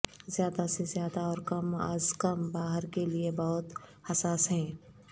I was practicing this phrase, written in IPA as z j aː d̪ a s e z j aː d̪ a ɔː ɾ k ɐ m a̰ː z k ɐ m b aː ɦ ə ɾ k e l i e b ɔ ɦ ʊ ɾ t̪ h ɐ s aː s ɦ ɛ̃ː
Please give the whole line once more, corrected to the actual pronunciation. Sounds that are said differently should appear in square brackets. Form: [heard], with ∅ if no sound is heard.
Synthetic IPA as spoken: z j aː d̪ a s e z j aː d̪ a ɔː ɾ k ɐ m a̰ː z k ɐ m b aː ɦ ə ɾ k e l i e b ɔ ɦ ʊ [∅] t̪ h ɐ s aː s ɦ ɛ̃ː